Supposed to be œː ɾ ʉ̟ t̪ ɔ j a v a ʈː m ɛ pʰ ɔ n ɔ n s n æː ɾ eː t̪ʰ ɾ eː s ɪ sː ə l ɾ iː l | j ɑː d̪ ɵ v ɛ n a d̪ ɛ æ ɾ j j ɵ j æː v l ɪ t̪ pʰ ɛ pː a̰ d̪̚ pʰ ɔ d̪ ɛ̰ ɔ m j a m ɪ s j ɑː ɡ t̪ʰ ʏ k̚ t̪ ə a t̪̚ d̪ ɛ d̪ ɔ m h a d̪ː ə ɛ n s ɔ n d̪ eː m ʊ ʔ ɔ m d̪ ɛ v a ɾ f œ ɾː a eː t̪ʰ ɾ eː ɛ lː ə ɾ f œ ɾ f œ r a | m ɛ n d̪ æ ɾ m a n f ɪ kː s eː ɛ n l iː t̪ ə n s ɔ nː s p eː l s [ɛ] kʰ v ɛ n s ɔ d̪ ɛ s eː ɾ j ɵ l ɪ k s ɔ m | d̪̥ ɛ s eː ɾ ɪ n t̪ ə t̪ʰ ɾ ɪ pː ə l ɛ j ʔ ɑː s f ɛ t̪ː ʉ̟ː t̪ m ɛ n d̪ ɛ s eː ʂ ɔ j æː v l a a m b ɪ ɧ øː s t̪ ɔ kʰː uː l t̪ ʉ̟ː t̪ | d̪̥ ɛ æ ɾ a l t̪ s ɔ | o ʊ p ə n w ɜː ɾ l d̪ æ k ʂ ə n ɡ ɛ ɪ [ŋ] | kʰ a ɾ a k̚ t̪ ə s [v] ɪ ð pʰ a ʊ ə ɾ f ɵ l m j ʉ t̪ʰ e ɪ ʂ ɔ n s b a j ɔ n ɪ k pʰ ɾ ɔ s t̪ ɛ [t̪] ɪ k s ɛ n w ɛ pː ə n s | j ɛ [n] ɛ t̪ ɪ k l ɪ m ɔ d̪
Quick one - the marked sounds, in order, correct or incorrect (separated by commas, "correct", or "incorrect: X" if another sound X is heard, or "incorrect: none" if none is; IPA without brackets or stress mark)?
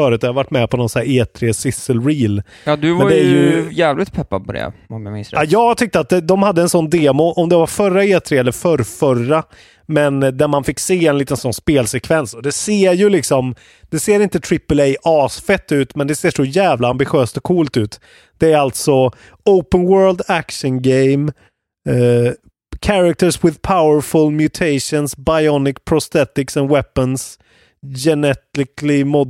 correct, incorrect: m, incorrect: w, correct, correct